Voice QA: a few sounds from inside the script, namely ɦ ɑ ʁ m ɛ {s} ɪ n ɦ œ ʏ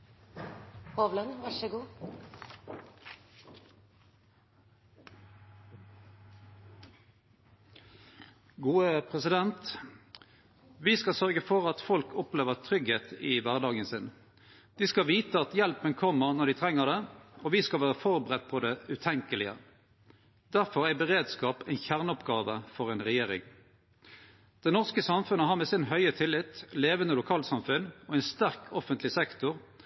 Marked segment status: correct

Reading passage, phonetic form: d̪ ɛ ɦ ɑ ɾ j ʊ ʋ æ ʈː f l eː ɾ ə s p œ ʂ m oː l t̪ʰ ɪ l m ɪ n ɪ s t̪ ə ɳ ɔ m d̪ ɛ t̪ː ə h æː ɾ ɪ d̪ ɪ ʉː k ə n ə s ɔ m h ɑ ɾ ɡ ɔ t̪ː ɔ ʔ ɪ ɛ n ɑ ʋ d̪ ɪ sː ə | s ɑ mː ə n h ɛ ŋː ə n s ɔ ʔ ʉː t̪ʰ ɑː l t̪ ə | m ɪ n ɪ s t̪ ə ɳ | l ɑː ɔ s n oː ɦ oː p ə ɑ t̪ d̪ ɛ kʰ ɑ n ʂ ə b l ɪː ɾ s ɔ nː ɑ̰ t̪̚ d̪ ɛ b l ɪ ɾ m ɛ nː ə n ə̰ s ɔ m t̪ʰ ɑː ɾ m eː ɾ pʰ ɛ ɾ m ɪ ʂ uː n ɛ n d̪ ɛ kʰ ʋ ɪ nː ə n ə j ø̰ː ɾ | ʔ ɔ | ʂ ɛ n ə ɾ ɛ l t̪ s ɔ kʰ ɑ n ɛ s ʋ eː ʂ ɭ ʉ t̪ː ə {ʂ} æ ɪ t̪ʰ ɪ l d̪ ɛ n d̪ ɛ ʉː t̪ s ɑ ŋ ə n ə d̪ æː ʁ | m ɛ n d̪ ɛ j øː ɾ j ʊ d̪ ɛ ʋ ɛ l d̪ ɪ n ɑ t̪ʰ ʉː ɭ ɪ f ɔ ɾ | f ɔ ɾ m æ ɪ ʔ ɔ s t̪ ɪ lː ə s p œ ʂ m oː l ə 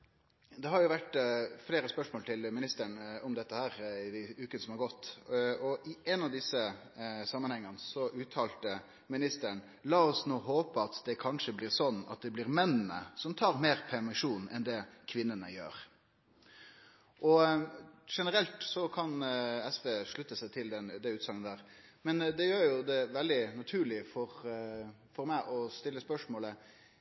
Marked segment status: incorrect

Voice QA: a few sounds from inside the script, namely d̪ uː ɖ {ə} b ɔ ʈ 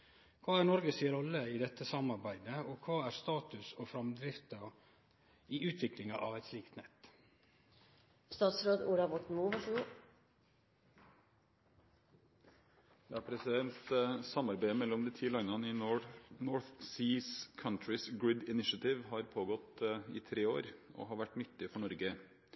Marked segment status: incorrect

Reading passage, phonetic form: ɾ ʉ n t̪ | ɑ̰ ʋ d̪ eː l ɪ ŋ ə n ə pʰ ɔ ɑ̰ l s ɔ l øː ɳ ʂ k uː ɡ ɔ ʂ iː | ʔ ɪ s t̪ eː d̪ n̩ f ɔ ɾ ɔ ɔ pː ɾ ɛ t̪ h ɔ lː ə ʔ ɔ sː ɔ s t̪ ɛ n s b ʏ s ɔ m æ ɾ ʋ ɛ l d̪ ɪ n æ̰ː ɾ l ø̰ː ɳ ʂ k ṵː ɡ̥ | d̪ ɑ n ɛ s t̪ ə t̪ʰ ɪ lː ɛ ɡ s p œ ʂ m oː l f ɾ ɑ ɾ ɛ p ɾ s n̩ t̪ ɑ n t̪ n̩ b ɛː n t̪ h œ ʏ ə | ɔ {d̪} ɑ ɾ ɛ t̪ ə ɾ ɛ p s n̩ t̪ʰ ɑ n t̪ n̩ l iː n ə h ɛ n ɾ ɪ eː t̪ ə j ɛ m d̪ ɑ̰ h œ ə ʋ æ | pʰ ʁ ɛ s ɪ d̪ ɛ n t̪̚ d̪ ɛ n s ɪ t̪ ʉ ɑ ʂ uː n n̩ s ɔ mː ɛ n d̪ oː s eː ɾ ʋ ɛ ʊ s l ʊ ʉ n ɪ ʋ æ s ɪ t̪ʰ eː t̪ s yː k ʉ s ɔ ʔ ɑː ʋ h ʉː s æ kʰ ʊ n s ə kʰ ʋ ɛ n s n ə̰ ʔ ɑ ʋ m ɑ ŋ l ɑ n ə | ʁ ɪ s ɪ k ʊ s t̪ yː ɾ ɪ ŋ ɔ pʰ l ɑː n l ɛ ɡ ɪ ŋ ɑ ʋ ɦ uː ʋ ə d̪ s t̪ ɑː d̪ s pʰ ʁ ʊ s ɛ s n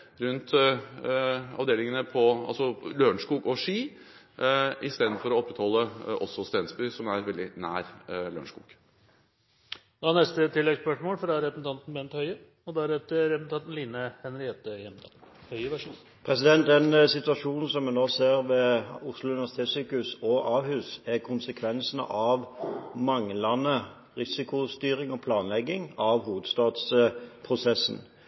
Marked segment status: correct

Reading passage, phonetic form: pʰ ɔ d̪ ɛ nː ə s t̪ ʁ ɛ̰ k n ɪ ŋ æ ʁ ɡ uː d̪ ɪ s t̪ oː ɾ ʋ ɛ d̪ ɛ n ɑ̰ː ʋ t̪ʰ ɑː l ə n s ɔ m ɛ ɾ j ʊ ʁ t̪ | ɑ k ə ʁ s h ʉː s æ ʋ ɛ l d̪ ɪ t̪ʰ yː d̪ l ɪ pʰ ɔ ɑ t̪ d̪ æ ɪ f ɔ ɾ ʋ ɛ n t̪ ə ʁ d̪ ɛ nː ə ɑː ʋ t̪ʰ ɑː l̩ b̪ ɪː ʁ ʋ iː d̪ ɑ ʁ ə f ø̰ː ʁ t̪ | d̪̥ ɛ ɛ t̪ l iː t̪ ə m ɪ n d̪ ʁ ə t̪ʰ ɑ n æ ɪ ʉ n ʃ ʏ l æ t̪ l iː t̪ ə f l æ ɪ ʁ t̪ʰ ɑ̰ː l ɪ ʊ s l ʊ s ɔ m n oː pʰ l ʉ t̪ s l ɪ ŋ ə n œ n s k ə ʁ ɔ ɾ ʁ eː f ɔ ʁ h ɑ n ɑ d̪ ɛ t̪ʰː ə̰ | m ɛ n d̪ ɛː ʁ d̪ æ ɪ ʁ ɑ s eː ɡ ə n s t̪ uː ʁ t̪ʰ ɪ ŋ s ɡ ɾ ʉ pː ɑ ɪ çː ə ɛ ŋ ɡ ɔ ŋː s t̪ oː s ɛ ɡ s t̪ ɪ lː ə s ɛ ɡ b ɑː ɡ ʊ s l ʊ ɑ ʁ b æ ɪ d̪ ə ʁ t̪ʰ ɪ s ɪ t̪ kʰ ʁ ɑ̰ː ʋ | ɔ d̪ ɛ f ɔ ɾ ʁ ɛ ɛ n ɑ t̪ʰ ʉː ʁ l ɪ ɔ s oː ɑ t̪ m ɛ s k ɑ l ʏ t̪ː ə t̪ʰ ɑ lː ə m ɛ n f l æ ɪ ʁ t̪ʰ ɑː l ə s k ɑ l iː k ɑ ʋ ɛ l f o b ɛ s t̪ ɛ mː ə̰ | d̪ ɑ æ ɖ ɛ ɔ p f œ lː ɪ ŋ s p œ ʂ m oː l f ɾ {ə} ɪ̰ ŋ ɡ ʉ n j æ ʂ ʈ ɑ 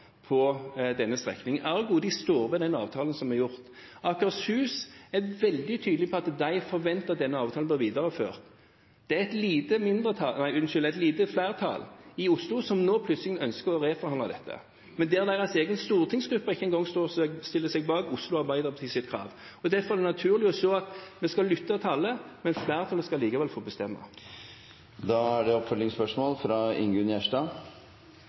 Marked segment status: incorrect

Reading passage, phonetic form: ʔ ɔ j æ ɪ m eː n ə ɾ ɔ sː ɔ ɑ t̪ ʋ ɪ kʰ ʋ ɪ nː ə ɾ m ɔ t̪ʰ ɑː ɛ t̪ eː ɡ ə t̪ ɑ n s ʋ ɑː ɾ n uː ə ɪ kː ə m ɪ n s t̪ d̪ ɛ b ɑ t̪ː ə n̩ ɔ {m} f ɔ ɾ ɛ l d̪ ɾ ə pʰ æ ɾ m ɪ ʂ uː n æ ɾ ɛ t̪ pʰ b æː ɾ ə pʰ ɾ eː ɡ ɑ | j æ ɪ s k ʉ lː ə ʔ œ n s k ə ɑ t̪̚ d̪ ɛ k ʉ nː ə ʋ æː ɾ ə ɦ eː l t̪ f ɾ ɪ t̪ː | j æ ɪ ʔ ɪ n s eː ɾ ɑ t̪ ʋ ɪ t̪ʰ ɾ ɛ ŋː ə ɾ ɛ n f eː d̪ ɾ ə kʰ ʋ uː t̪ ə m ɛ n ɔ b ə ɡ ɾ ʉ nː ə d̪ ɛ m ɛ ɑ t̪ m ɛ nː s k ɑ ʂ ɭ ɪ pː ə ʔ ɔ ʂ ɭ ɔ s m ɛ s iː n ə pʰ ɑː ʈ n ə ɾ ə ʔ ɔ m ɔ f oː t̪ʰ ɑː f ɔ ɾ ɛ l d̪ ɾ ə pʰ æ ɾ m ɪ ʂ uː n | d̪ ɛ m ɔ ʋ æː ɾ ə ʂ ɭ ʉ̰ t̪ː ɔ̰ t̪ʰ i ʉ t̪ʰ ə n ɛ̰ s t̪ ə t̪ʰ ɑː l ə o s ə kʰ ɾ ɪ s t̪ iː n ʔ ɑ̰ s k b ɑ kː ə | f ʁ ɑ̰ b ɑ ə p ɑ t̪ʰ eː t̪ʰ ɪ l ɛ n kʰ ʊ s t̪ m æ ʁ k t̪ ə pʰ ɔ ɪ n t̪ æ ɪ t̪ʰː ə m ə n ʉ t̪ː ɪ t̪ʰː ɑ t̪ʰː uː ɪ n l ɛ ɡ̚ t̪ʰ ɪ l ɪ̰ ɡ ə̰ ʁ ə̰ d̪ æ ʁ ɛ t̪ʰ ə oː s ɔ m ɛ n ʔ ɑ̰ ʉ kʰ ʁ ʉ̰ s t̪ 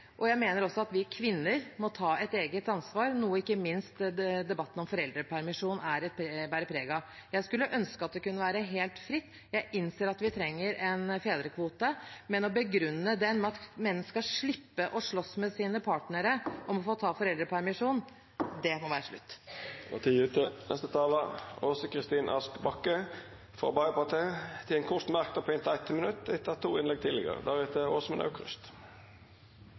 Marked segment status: correct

